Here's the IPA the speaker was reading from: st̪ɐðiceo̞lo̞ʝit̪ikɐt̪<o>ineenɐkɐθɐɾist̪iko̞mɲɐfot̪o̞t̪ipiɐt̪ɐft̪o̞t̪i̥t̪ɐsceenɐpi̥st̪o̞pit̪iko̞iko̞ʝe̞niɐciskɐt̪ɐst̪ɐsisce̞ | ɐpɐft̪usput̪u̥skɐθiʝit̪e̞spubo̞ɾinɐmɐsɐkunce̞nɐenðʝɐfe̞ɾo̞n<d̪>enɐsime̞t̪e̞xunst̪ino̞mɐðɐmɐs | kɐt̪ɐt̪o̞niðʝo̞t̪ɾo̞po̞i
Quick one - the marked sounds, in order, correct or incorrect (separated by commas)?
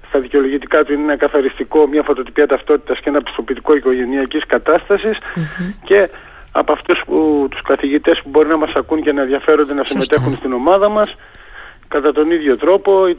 incorrect, correct